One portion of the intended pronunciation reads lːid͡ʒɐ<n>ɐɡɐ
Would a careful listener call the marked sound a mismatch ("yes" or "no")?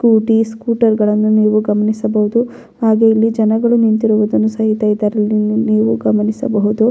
no